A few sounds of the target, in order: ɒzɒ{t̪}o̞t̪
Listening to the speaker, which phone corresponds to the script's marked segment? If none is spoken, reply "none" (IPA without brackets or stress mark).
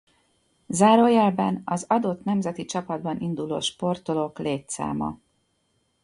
d̪